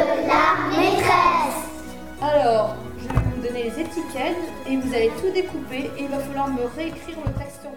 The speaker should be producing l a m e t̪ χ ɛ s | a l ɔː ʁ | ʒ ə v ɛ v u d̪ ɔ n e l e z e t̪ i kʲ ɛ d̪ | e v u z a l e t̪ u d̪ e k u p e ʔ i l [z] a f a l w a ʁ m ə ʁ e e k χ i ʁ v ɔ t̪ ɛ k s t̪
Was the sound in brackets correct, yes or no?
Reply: no